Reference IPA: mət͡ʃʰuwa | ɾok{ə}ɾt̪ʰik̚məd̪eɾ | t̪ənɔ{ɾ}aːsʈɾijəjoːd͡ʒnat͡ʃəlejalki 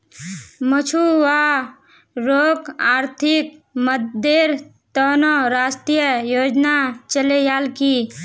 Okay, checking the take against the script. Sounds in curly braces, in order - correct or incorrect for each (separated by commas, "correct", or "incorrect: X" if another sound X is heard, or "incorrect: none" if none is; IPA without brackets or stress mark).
incorrect: a, correct